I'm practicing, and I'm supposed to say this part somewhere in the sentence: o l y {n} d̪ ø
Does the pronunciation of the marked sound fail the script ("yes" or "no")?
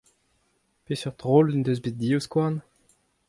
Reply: no